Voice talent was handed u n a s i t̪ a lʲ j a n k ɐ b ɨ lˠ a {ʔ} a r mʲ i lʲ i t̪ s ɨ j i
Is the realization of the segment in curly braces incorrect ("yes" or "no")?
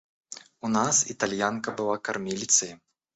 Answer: yes